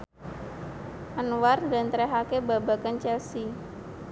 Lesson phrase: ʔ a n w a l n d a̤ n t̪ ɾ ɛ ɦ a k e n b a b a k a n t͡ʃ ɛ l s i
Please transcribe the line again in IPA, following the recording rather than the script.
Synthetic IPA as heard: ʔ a n w a r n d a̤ n t̪ ɾ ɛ ɦ a k e b a b a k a n t͡ʃ ɛ l s i